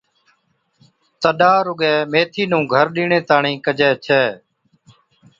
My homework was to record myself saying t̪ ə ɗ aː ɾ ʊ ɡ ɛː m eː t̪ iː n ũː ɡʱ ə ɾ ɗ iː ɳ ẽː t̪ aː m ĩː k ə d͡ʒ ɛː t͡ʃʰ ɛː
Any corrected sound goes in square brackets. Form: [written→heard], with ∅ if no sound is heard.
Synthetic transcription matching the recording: t̪ ə ɗ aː ɾ ʊ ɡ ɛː m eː [t̪→t̪ʰ] iː n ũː ɡʱ ə ɾ ɗ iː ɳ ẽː t̪ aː [m→ɳ] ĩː k ə d͡ʒ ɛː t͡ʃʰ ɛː